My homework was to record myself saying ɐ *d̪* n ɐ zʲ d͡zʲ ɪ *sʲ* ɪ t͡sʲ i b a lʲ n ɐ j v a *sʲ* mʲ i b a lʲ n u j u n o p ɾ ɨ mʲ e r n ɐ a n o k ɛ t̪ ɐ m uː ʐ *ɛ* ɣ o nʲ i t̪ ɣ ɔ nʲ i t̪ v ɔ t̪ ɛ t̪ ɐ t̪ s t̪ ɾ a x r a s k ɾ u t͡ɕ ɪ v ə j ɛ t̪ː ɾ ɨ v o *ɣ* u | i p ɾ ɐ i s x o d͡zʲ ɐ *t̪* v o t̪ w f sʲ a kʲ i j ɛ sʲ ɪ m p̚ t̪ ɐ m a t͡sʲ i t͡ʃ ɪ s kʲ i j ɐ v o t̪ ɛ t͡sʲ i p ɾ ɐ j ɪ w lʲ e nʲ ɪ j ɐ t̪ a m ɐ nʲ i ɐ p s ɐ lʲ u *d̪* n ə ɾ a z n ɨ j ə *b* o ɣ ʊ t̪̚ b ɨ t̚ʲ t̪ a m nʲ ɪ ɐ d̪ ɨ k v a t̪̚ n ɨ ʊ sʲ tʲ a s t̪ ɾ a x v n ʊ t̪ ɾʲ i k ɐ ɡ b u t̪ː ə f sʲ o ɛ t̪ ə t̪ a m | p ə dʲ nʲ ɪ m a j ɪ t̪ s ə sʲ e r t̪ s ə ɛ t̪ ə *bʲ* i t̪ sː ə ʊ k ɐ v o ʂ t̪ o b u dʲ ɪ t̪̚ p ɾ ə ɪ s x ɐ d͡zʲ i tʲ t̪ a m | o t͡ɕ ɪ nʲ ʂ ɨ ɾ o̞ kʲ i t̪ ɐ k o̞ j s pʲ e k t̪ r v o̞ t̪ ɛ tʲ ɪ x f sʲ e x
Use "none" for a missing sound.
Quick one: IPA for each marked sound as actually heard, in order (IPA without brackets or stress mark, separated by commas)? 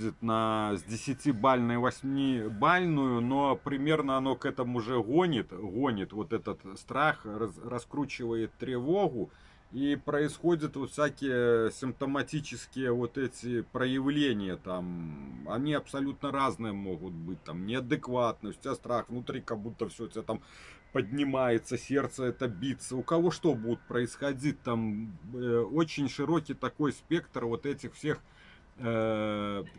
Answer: t̪, sʲ, sʲ, ɛ, ɣ, t̪, t̪, m, bʲ